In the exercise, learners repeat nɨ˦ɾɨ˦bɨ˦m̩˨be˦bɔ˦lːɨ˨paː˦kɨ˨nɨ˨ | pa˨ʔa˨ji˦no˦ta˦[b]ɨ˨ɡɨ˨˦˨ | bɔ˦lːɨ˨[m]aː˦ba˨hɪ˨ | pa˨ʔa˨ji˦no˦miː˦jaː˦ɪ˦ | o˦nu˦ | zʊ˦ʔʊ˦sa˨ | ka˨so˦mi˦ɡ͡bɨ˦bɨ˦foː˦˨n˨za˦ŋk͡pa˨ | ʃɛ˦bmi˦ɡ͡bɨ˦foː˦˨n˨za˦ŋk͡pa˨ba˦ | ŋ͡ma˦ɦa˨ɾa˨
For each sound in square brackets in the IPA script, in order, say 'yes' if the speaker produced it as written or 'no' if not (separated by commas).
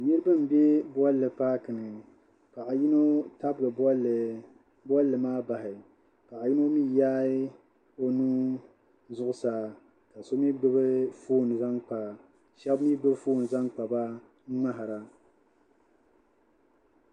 yes, yes